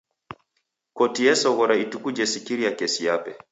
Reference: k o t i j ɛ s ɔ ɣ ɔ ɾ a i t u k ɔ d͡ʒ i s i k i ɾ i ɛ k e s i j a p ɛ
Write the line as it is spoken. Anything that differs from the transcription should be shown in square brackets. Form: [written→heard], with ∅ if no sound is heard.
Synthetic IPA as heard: k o t i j ɛ s ɔ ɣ ɔ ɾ a i t u k [ɔ→u] d͡ʒ [i→ɛ] s i k i ɾ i [ɛ→a] k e s i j a p ɛ